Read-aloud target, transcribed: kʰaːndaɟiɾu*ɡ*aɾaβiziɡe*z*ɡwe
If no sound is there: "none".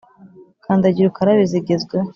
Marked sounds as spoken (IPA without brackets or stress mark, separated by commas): k, z